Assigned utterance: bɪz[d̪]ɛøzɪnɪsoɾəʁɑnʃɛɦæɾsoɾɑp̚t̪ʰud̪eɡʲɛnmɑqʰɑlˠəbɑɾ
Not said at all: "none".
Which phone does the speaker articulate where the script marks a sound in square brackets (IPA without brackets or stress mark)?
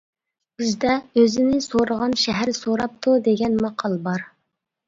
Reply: d̪